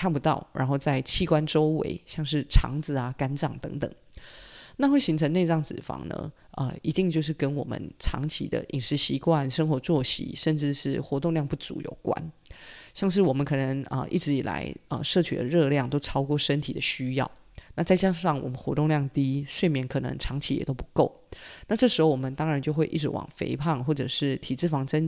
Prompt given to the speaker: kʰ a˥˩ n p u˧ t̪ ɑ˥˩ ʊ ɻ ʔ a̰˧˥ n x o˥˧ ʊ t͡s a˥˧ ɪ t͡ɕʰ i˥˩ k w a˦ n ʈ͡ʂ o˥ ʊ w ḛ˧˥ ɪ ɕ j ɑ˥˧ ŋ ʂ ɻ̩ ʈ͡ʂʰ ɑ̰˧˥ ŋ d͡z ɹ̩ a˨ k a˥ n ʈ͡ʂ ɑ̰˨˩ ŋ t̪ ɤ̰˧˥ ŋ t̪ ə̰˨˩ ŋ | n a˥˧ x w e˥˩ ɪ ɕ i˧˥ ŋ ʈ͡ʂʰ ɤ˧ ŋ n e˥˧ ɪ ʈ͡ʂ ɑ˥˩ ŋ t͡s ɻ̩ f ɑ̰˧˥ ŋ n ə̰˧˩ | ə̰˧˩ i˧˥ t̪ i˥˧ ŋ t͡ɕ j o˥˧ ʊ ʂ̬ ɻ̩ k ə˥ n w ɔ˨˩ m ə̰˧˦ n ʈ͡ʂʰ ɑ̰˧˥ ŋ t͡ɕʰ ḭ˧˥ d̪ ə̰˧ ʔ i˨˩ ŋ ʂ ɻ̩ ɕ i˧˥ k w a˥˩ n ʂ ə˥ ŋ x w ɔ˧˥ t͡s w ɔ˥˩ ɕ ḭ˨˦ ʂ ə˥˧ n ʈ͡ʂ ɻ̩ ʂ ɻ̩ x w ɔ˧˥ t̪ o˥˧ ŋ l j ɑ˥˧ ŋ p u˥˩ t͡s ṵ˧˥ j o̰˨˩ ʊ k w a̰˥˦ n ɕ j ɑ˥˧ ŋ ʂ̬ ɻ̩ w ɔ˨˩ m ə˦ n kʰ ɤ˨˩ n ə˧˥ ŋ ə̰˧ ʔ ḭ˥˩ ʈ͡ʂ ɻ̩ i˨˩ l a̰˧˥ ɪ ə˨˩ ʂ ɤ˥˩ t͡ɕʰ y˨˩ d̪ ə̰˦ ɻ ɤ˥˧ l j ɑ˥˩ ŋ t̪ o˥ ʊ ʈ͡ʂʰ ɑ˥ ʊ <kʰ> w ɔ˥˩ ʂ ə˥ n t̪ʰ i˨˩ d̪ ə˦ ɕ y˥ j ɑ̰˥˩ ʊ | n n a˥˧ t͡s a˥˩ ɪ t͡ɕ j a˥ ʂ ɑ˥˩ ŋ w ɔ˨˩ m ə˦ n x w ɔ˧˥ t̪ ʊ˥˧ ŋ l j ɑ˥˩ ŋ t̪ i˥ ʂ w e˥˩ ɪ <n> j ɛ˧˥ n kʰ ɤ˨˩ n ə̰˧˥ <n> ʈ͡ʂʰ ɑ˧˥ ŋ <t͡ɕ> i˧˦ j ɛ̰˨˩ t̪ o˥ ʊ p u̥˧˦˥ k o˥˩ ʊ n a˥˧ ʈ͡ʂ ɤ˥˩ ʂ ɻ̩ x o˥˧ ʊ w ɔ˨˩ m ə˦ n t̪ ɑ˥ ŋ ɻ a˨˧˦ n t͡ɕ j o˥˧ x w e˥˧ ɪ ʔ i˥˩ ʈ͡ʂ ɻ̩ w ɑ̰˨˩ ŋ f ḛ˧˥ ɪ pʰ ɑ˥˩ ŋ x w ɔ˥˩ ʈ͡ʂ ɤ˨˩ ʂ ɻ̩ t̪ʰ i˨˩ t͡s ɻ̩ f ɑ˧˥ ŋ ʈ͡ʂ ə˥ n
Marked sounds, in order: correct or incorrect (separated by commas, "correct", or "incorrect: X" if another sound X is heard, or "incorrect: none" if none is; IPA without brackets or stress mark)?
incorrect: k, incorrect: m, incorrect: ŋ, incorrect: t͡ɕʰ